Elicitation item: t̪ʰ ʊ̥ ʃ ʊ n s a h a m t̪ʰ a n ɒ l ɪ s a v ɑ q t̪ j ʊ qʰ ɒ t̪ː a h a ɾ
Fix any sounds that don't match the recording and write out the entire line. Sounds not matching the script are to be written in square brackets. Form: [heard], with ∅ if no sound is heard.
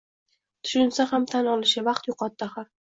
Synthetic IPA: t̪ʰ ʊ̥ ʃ ʊ n s a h a m t̪ʰ a n ɒ l ɪ [ʃ] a v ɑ q t̪ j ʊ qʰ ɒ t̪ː a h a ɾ